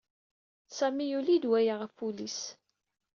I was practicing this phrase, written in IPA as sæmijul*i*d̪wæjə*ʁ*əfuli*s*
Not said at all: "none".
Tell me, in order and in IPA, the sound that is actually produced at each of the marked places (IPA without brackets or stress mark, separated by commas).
i, ʁ, s